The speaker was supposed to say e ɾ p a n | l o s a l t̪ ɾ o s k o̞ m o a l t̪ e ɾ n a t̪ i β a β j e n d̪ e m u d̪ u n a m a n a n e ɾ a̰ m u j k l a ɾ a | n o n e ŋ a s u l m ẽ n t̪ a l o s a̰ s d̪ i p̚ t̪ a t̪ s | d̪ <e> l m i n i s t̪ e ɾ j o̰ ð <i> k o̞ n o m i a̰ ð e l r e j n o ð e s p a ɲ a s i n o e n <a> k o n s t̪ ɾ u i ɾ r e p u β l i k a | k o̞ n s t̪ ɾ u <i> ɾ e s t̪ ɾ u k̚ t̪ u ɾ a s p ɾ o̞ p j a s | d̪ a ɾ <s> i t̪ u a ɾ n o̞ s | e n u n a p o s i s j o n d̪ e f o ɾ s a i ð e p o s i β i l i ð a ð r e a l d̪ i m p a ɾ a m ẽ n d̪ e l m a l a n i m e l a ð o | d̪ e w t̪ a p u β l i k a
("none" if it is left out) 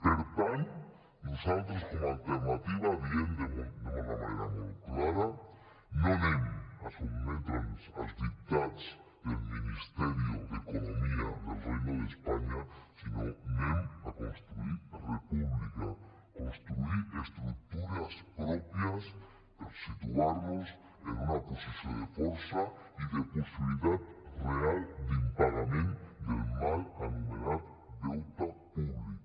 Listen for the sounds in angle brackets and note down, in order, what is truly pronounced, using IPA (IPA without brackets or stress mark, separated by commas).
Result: e, e, a, i, s